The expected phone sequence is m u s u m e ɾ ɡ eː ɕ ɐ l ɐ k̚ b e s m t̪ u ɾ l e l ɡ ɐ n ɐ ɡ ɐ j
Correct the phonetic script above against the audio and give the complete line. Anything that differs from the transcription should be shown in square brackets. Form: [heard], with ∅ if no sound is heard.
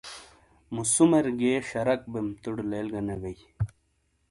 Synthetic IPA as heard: m u s u m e ɾ ɡ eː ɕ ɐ [ɾ] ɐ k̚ b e [∅] m t̪ u [ɽ] l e l ɡ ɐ n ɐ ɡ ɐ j